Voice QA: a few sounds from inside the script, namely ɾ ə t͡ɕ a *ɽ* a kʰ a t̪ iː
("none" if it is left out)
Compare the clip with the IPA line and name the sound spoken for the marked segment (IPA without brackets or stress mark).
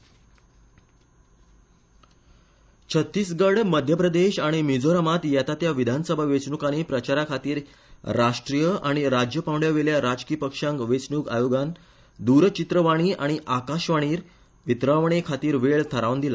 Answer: ɾ